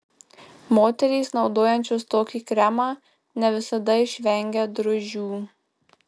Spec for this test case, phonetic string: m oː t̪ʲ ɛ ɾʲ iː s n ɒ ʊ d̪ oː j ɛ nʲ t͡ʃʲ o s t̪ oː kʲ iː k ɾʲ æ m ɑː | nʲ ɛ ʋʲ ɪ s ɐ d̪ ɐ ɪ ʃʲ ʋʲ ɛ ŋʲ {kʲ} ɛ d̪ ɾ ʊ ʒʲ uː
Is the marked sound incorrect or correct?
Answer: incorrect